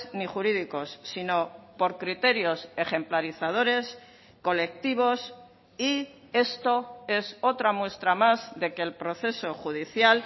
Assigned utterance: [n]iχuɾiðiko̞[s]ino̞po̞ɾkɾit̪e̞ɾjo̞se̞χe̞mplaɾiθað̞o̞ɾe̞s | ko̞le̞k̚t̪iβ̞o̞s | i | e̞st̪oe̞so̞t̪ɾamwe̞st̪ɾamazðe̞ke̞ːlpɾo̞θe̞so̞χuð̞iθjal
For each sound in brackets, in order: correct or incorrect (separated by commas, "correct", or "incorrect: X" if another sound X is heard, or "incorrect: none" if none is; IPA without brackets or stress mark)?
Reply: correct, incorrect: sː